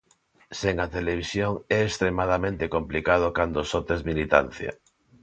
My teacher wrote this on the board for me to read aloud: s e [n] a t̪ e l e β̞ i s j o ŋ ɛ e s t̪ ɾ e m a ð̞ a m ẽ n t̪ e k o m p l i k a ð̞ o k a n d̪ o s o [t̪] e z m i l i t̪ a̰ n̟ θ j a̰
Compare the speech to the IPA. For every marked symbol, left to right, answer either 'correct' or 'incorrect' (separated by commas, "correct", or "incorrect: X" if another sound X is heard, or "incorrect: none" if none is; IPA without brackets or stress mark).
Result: incorrect: ŋ, correct